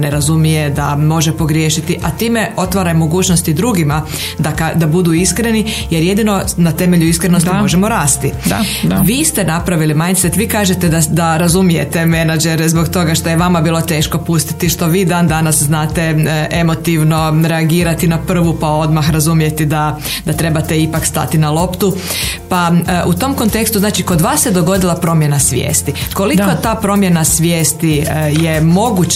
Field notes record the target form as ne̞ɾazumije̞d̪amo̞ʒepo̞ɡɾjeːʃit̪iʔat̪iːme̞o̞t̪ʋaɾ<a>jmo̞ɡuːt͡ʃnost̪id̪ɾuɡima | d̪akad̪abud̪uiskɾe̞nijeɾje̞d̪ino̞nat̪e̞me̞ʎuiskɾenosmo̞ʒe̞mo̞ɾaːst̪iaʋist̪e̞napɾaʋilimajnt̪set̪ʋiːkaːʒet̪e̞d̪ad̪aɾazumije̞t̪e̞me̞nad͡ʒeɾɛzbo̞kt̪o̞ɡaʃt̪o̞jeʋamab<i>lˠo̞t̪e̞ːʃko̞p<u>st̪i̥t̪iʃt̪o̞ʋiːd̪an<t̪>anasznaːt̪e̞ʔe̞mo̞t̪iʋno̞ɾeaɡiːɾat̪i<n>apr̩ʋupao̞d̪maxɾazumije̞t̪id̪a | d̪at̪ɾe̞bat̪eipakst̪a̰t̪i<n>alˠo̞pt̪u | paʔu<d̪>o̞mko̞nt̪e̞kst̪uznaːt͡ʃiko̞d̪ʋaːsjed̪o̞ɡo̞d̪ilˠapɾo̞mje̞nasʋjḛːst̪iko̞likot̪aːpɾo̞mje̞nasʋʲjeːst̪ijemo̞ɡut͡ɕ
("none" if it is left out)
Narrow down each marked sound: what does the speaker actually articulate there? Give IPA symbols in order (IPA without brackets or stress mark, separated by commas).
a, iː, u, d̪, n, n, t̪